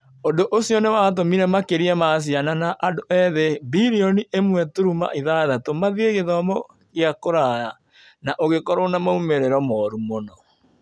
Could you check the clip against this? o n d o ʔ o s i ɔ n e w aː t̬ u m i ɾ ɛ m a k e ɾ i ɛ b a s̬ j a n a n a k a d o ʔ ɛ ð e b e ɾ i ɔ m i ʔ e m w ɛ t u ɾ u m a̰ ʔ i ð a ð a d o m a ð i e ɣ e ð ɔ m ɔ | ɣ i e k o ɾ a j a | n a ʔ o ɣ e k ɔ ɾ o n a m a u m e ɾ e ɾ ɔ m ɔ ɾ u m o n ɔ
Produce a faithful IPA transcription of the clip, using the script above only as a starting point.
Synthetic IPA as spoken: o n d o ʔ o s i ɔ n e w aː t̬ o m i ɾ ɛ m a k e ɾ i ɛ m a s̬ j a n a n a ʔ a d o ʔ ɛ ð e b i ɾ i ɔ n i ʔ e m w ɛ t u ɾ u m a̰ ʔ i ð a ð a t o m a ð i e ɣ e ð ɔ m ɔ | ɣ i a k o ɾ a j a | n a ʔ o ɣ e k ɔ ɾ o n a m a u m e ɾ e ɾ ɔ m ɔ ɾ u m o n ɔ

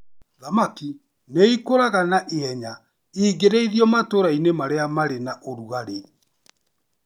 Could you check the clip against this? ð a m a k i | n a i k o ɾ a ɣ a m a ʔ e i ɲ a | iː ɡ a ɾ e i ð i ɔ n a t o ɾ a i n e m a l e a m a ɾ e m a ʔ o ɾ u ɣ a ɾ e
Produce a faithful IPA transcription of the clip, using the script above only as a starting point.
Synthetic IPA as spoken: ð a m a k i | n e i k o ɾ a ɣ a n a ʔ e ɛ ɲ a | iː ɡ e ɾ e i ð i ɔ m a t o ɾ a i n e m a ɾ e a m a ɾ e n a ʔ o ɾ u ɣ a ɾ e

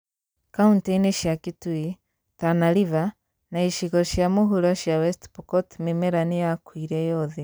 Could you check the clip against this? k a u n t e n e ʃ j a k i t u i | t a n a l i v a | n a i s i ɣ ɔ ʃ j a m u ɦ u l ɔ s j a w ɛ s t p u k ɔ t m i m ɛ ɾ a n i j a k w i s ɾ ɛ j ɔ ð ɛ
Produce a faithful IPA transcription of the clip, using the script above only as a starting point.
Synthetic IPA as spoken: k a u n t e n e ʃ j a k i t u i | t a n a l i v a | n a i ʃ i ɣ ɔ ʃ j a m u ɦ u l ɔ ʃ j a w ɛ s t p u k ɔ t m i m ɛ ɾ a n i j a k w i ɾ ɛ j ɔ ð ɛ

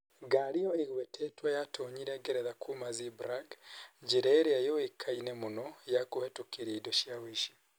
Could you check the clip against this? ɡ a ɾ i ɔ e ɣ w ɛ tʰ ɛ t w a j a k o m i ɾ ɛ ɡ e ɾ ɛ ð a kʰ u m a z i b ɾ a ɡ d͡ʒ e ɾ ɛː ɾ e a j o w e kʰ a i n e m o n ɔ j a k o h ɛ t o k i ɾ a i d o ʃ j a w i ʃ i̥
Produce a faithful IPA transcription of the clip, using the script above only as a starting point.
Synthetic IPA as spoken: ɡ a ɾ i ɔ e ɣ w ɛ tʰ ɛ t w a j a t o ɲ i ɾ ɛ ɡ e ɾ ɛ ð a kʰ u m a z i b ɾ a ɡ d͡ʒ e ɾ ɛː ɾ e a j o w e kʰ a i n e m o n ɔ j a k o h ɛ t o k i ɾ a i d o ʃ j a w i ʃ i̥

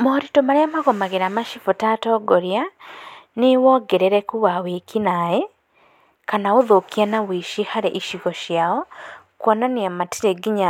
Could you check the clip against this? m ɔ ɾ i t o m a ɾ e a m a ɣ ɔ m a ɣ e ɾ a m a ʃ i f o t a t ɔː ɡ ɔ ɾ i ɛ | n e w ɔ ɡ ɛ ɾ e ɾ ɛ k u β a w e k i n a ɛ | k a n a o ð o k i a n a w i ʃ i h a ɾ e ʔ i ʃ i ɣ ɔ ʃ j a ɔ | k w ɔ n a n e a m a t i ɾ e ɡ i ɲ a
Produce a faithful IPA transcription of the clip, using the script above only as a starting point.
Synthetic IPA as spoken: m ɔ ɾ i t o m a ɾ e a m a ɣ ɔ m a ɣ e ɾ a m a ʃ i f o t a t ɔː ɡ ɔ ɾ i a | n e w ɔ ɡ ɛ ɾ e ɾ ɛ k u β a w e k i n a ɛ | k a n a o ð o k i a n a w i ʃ i h a ɾ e ʔ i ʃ i ɣ ɔ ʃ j a ɔ | k w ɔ n a n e a m a t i ɾ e ɡ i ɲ a

